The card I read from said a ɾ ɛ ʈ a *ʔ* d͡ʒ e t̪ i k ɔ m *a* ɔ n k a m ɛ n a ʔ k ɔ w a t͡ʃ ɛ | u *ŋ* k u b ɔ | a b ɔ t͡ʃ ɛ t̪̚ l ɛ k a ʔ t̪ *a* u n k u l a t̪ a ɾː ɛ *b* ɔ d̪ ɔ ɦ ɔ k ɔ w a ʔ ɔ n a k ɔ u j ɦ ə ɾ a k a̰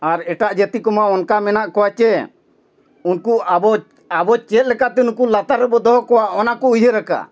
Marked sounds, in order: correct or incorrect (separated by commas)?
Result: correct, correct, incorrect, incorrect, correct